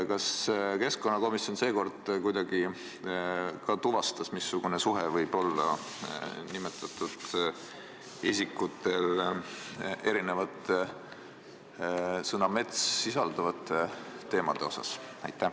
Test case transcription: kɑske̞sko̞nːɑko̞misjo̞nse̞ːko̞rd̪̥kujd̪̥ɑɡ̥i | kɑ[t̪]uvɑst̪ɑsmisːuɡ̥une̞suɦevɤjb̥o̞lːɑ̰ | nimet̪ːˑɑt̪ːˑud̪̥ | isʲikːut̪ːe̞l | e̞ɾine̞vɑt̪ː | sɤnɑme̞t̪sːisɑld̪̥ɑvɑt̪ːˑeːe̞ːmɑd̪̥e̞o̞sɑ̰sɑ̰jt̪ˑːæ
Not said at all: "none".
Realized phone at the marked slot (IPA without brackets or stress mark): t̪